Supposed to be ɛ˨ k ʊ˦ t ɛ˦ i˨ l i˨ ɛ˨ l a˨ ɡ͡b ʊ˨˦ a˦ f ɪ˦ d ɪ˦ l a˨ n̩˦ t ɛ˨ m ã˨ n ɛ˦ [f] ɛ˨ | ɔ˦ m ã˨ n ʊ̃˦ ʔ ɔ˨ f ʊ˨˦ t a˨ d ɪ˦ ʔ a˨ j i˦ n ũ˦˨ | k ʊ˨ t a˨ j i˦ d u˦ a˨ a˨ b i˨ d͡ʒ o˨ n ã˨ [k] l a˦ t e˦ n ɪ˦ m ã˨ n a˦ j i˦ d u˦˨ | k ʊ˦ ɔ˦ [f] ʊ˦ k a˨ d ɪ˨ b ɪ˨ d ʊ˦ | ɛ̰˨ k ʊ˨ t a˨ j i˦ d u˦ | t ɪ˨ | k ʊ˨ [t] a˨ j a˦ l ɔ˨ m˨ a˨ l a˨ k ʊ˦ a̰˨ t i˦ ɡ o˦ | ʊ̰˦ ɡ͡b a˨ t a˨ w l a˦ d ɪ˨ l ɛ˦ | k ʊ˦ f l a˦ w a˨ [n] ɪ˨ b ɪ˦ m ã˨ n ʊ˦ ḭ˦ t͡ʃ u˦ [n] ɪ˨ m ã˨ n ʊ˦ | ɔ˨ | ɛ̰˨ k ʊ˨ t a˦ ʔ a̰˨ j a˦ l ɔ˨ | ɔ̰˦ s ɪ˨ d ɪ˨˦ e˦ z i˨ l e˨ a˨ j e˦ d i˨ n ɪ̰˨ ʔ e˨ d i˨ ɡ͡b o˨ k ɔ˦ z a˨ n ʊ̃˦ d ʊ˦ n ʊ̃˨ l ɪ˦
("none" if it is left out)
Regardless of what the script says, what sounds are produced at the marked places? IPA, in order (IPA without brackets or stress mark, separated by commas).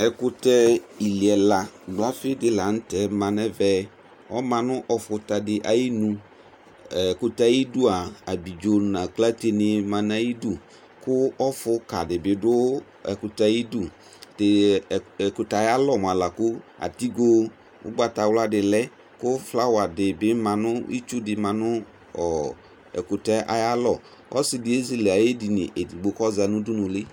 v, k, f, t, d, d